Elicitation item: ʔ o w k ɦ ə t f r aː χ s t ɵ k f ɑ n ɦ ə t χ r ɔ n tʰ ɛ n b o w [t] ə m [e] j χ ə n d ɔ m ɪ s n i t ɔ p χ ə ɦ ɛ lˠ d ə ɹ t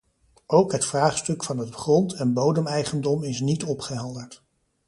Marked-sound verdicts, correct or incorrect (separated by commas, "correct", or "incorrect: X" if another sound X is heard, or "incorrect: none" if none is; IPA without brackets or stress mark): incorrect: d, incorrect: ɛ